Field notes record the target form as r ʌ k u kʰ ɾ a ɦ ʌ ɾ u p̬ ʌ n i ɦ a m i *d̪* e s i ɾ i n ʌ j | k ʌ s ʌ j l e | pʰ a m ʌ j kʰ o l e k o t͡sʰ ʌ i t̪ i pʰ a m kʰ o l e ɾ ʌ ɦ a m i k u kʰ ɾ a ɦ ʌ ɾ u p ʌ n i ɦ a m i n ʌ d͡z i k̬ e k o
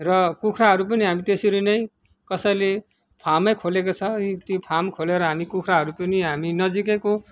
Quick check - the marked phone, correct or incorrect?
incorrect